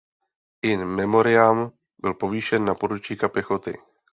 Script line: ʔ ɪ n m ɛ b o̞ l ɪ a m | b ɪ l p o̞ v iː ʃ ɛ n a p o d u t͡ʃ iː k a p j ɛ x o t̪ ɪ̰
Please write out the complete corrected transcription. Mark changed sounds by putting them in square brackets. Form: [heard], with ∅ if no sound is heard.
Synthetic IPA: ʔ ɪ n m ɛ [m] o̞ [ɾ] ɪ a m | b ɪ l p o̞ v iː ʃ ɛ [nː] a p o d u t͡ʃ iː k a p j ɛ x o t̪ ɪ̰

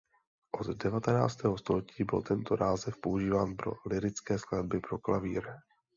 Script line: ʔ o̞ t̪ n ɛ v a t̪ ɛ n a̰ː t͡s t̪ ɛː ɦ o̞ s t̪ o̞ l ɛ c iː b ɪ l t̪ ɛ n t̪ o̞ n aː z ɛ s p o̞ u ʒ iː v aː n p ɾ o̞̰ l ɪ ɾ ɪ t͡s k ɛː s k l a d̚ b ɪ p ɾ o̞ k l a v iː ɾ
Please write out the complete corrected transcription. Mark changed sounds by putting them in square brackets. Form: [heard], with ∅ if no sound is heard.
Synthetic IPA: ʔ o̞ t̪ [d] ɛ v a t̪ ɛ n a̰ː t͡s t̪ ɛː ɦ o̞ s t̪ o̞ l ɛ c iː b ɪ l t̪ ɛ n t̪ o̞ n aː z ɛ [f] p o̞ u ʒ iː v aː n p ɾ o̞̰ l ɪ ɾ ɪ t͡s k ɛː s k l a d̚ b ɪ p ɾ o̞ k l a v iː ɾ

